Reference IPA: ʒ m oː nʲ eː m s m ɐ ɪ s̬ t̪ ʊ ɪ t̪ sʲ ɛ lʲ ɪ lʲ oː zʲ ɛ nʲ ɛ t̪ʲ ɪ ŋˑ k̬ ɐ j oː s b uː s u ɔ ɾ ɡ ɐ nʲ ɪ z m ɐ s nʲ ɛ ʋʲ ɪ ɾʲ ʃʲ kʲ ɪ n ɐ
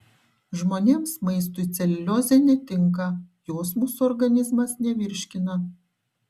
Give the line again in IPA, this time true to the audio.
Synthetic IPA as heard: ʒ m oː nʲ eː m s m ɐ ɪ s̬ t̪ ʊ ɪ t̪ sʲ ɛ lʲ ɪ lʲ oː zʲ ɛ nʲ ɛ t̪ʲ ɪ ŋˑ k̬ ɐ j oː s m uː s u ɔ ɾ ɡ ɐ nʲ ɪ z m ɐ s nʲ ɛ ʋʲ ɪ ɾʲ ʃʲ kʲ ɪ n ɐ